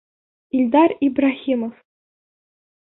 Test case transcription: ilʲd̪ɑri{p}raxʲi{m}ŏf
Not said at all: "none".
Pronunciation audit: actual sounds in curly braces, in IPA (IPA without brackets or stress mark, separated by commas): b, m